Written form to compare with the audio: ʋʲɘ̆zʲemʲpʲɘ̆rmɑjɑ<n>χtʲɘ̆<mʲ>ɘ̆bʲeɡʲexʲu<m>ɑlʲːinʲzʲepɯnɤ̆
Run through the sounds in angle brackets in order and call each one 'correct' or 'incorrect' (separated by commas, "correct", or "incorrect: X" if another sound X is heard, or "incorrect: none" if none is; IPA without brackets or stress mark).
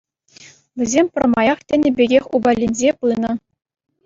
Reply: incorrect: none, incorrect: nʲ, incorrect: b